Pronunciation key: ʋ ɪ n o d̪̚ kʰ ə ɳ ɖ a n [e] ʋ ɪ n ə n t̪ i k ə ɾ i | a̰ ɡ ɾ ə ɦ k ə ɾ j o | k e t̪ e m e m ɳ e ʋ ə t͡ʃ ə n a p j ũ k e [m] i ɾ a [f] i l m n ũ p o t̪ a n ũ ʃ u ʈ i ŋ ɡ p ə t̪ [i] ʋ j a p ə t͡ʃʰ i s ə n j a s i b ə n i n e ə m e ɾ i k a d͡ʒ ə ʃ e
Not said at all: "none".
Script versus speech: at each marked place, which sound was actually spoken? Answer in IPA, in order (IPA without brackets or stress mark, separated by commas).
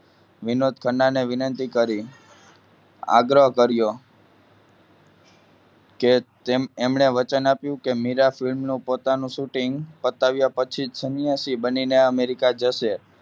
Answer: e, m, f, a